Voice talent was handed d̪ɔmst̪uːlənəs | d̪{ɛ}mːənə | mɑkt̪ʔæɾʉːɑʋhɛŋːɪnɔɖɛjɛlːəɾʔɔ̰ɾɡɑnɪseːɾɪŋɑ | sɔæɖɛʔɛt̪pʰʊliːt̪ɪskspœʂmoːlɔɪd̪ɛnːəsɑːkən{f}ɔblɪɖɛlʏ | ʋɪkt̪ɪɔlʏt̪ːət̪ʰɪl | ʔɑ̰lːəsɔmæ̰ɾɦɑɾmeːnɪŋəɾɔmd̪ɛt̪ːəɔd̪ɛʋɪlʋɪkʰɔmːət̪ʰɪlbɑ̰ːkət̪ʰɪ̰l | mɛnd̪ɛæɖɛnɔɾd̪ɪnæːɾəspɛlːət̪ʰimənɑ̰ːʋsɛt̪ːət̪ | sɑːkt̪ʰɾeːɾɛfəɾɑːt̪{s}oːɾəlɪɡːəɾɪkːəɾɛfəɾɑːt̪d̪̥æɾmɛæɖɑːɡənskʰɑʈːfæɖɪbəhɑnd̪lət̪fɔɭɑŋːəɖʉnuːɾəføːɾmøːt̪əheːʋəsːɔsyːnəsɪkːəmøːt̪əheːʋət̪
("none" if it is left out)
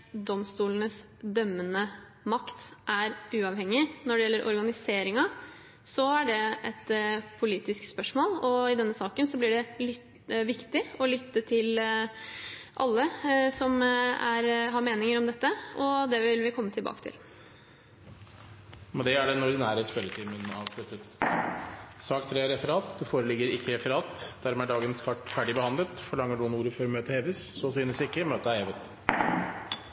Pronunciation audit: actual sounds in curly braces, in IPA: œ, s, f

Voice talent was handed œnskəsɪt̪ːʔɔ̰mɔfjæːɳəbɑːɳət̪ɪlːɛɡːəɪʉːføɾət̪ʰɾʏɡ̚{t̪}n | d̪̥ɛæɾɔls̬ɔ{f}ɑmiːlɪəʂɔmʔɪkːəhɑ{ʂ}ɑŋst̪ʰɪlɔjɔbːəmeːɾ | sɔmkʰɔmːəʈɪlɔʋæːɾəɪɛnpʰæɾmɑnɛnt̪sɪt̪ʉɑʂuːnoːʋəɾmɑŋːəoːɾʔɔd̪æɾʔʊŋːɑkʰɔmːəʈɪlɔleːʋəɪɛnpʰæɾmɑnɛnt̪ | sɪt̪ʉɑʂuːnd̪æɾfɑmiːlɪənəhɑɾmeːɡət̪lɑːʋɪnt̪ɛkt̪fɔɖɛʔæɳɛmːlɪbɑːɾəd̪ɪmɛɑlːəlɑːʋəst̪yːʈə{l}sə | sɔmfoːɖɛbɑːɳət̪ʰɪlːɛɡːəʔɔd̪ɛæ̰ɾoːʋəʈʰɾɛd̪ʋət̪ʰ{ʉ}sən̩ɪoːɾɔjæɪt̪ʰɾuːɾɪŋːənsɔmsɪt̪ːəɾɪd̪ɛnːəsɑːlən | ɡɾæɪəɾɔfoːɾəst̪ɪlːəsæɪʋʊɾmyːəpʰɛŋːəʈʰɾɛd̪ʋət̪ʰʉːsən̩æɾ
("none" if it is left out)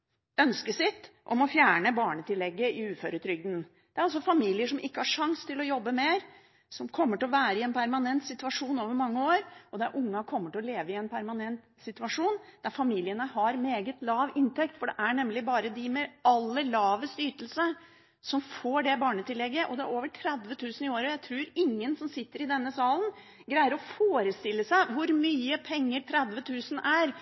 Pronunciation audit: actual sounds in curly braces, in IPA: d̪, f, ʂ, l, ʉː

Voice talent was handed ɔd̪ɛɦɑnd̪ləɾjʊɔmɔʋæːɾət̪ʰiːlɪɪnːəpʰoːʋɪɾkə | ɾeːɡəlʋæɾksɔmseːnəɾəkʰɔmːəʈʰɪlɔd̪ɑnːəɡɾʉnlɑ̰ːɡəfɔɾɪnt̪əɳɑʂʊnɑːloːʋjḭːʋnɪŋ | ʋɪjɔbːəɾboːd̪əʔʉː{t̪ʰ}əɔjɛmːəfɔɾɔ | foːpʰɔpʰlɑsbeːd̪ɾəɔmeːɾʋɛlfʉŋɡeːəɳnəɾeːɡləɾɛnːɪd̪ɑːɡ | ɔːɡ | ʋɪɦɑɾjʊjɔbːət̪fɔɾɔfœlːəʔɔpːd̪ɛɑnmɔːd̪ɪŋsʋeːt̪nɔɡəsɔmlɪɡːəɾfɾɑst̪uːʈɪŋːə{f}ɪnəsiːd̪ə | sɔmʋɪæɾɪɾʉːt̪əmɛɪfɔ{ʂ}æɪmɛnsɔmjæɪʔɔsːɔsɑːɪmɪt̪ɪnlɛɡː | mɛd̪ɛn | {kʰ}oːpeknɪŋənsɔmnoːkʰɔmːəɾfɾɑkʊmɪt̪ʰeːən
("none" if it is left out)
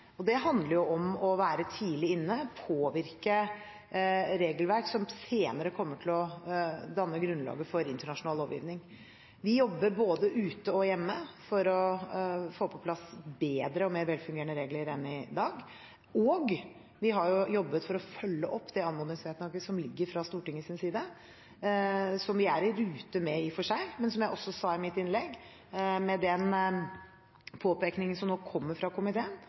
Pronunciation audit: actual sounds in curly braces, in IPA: t̪, s, ʂ, pʰ

